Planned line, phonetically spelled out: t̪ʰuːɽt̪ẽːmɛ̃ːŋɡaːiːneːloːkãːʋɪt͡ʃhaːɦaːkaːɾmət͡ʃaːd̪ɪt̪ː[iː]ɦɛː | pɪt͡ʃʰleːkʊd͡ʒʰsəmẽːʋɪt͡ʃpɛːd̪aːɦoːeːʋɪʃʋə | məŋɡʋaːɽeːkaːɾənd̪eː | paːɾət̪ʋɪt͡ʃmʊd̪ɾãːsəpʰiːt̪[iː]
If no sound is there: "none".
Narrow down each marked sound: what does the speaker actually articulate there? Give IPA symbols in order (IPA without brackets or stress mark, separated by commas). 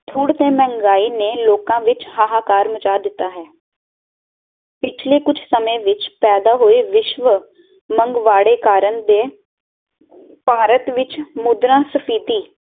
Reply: aː, iː